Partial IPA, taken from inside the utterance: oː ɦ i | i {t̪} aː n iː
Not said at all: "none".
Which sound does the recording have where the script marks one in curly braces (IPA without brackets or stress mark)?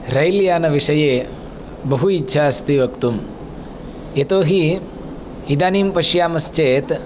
d̪